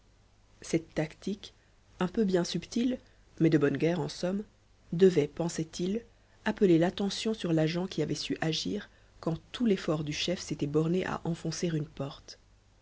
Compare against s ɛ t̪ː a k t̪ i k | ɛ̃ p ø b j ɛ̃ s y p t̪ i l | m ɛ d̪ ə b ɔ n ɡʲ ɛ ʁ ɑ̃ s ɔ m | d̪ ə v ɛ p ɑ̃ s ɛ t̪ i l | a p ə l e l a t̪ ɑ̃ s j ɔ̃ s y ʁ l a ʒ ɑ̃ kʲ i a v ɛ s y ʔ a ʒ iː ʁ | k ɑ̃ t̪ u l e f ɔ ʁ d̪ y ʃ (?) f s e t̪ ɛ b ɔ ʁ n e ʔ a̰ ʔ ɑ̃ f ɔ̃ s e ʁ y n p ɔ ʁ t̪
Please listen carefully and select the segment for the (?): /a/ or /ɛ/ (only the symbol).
ɛ